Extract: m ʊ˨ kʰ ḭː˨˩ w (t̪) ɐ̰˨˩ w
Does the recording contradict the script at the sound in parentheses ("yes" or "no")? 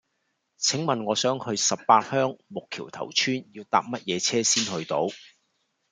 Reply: yes